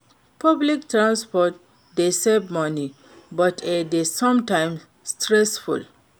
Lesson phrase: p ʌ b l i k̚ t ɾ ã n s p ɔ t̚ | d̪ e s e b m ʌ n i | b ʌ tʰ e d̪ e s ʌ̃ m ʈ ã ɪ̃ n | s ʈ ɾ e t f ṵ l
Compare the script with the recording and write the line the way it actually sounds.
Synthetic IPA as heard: p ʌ b l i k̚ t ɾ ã n s p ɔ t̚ | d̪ e s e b m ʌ n i | b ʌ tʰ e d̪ e s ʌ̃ m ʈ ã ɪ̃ m | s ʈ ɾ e s f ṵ l